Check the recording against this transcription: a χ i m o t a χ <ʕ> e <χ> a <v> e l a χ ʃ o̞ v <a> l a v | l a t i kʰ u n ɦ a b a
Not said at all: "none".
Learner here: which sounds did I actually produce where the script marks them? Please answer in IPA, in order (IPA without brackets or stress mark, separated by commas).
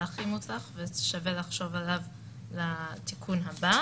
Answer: v, ʃ, v, a